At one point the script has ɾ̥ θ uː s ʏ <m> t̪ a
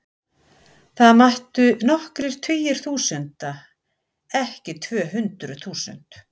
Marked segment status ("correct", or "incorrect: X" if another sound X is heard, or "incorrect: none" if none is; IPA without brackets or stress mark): incorrect: n